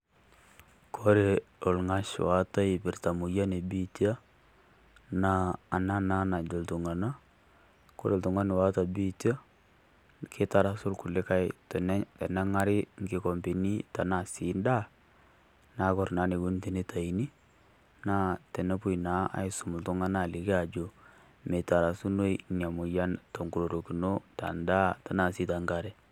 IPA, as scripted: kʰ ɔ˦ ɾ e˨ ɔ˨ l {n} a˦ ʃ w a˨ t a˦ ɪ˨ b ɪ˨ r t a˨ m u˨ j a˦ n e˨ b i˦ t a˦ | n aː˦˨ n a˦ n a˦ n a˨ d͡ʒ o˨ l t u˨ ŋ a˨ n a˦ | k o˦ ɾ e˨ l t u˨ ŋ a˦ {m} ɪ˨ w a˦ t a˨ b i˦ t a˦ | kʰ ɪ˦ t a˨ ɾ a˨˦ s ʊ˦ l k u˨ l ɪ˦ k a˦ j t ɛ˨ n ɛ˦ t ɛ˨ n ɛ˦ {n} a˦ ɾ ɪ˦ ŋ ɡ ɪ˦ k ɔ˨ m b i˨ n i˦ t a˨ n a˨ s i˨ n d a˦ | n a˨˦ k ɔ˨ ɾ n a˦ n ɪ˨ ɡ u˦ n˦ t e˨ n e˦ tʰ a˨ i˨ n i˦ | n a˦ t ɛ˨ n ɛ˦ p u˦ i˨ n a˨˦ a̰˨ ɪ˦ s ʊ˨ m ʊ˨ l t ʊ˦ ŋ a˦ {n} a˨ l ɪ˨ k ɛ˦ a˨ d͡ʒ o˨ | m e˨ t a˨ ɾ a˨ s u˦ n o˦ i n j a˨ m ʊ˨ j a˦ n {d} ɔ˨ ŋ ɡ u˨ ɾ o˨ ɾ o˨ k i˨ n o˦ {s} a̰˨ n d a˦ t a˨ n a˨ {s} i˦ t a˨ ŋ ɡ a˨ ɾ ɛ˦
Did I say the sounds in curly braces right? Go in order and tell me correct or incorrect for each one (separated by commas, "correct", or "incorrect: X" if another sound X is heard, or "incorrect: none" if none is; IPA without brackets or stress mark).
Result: incorrect: ŋ, incorrect: n, incorrect: ŋ, correct, incorrect: t, incorrect: t, correct